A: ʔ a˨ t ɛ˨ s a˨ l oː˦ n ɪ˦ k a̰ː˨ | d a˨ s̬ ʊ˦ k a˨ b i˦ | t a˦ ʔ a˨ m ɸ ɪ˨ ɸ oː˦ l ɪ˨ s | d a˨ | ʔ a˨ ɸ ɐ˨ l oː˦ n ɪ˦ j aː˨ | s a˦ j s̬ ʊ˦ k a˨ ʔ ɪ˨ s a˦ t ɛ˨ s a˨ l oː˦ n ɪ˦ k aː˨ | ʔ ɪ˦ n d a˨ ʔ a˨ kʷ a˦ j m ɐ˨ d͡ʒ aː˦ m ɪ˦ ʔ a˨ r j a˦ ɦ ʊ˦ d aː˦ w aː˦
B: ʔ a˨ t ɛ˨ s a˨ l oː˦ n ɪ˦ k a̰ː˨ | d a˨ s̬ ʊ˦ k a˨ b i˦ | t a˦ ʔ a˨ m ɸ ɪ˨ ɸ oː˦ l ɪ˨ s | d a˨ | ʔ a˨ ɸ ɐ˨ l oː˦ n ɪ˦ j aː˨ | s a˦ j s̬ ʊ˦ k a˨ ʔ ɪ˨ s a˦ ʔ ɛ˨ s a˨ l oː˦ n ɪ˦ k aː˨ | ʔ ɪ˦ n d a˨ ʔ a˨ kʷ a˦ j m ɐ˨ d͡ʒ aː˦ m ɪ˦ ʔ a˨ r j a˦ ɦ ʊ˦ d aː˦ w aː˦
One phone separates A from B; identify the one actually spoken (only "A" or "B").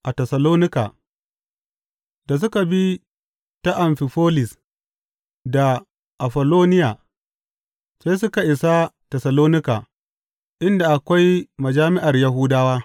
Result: A